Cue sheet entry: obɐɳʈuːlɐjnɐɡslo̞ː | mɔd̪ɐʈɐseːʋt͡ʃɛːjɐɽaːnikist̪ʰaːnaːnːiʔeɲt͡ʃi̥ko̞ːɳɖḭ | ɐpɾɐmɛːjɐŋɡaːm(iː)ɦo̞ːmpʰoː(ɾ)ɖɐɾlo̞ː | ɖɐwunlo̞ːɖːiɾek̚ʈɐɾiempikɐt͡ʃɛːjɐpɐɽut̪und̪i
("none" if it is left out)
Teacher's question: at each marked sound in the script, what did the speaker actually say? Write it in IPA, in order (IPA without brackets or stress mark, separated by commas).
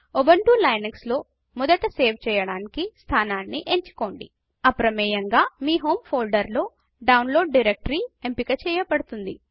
iː, l